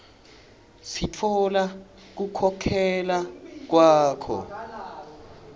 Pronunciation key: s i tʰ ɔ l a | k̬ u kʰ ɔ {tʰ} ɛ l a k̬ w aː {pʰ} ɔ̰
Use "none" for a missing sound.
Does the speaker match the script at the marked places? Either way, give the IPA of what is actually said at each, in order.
kʰ, kʰ

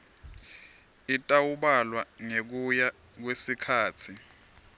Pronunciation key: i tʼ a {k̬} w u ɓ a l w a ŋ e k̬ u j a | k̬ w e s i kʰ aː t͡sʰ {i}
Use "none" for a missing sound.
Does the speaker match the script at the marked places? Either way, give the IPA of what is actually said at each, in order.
none, i

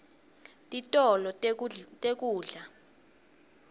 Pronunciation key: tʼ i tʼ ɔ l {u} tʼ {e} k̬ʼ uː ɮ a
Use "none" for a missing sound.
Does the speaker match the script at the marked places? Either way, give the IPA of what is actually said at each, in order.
ɔ, e

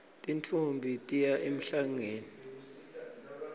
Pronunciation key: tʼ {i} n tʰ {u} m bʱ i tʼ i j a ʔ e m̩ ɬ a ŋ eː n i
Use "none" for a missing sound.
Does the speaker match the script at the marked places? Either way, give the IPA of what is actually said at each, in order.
i, u

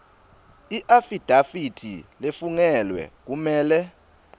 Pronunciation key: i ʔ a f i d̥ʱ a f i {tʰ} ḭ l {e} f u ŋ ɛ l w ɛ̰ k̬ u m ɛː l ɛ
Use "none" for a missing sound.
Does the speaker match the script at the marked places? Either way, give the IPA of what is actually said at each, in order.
tʰ, e

